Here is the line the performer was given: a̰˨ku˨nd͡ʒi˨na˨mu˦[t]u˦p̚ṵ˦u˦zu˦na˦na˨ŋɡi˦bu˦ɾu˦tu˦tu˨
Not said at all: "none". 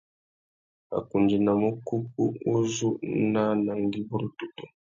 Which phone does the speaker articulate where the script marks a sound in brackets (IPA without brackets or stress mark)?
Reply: k